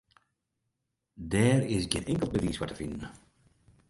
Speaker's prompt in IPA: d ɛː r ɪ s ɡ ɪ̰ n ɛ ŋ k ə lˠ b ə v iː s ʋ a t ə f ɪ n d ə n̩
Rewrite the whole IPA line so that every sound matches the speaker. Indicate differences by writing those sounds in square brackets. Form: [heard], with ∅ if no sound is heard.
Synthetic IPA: d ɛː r ɪ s ɡ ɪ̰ n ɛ ŋ k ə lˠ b ə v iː s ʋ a t ə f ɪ n d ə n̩